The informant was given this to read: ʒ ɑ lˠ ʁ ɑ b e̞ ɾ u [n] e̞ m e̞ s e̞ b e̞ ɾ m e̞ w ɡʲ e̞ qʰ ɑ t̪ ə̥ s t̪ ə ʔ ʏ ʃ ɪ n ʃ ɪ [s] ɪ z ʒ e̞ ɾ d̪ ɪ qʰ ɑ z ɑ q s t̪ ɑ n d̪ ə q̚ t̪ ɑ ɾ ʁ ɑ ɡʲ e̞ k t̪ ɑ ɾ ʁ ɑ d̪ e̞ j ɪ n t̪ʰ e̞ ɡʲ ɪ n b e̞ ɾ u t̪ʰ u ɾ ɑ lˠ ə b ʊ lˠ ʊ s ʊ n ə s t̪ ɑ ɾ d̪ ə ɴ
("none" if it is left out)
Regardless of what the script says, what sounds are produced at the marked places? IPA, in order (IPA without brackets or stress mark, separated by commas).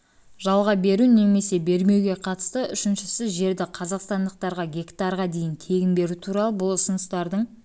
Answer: n, s